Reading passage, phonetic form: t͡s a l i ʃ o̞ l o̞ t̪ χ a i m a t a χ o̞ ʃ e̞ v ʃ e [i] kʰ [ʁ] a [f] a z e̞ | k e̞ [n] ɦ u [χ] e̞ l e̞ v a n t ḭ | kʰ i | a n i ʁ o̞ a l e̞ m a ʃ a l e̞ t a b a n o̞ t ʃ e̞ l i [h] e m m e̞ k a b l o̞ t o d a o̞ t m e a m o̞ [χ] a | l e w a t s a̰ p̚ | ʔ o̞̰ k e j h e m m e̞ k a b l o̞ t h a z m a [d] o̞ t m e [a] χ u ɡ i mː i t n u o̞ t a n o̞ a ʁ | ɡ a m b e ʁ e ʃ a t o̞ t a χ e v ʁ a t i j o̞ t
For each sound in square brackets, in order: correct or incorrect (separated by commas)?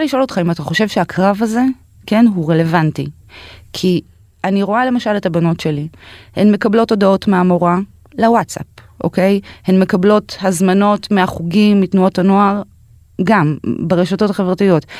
incorrect, correct, incorrect, correct, incorrect, correct, incorrect, incorrect, correct